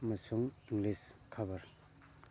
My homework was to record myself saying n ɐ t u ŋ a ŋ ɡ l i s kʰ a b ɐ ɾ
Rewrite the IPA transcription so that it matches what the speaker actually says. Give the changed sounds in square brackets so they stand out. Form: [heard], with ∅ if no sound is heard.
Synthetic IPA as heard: [m] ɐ [s] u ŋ [i] ŋ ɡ l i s kʰ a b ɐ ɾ